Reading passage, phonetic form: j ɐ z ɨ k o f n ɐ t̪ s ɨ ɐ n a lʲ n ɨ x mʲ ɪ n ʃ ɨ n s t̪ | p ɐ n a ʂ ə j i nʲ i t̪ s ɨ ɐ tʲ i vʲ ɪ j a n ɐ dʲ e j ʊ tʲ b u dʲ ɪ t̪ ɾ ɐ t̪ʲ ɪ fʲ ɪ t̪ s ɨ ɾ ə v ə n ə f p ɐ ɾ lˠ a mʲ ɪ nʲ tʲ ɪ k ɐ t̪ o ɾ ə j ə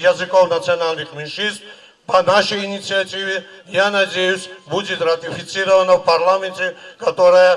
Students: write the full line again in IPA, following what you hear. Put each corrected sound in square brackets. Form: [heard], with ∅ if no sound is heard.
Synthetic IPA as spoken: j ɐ z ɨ k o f n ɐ t̪ s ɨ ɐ n a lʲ n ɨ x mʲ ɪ n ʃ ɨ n s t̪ | p ɐ n a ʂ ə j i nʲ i t̪ s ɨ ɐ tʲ i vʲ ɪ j a n ɐ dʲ e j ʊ [sʲ] b u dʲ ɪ t̪ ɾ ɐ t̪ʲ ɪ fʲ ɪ t̪ s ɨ ɾ ə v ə n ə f p ɐ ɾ lˠ a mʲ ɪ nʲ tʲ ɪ k ɐ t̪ o ɾ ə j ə

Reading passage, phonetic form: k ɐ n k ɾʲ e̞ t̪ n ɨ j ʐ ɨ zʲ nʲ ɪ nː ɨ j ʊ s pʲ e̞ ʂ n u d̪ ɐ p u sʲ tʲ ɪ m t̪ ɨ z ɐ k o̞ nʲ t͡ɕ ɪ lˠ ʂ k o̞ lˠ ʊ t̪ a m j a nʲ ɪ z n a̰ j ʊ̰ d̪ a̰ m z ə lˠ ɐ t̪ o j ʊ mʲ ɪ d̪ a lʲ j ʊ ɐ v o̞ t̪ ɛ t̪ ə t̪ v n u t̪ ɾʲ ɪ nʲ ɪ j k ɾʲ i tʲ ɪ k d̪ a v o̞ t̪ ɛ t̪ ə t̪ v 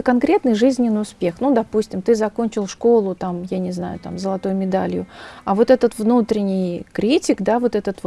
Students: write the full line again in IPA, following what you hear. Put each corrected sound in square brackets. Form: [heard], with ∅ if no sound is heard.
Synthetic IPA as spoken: k ɐ n k ɾʲ e̞ t̪ n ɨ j ʐ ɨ zʲ nʲ ɪ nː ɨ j ʊ s pʲ e̞ [x] n u d̪ ɐ p u sʲ tʲ ɪ m t̪ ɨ z ɐ k o̞ nʲ t͡ɕ ɪ lˠ ʂ k o̞ lˠ ʊ t̪ a m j a nʲ ɪ z n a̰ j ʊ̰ [t̪] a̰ m z ə lˠ ɐ t̪ o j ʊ mʲ ɪ d̪ a lʲ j ʊ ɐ v o̞ t̪ ɛ t̪ ə t̪ v n u t̪ ɾʲ ɪ nʲ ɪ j k ɾʲ i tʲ ɪ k d̪ a v o̞ t̪ ɛ t̪ ə t̪ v

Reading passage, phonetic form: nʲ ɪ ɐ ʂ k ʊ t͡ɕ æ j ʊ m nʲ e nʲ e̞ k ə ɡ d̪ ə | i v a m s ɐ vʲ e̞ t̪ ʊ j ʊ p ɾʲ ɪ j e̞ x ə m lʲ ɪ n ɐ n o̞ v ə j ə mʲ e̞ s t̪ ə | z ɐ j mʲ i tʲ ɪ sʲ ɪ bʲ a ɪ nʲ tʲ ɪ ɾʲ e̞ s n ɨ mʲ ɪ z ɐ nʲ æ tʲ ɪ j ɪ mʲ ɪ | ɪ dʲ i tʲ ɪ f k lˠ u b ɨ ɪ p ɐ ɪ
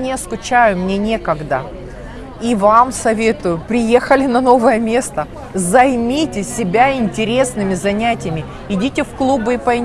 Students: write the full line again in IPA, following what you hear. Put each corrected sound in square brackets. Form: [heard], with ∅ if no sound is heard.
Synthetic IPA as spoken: nʲ ɪ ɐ [s] k ʊ t͡ɕ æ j ʊ m nʲ e nʲ e̞ k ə ɡ d̪ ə | i v a m s ɐ vʲ e̞ t̪ ʊ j ʊ p ɾʲ ɪ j e̞ x ə [∅] lʲ ɪ n ɐ n o̞ v ə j ə mʲ e̞ s t̪ ə | z ɐ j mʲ i tʲ ɪ sʲ ɪ bʲ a ɪ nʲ tʲ ɪ ɾʲ e̞ s n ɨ mʲ ɪ z ɐ nʲ æ tʲ ɪ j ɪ mʲ ɪ | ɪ dʲ i tʲ ɪ f k lˠ u b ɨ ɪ p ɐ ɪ

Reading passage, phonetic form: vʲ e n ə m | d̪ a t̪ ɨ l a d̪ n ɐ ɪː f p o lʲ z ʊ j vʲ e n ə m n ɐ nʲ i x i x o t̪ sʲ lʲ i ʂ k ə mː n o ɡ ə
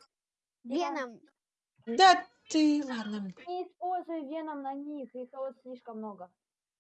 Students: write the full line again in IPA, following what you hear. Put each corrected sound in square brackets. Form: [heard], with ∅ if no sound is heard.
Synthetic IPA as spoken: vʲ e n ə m | d̪ a t̪ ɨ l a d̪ n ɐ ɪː [s] p o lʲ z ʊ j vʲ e n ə m n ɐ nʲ i x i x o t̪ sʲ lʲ i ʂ k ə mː n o ɡ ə

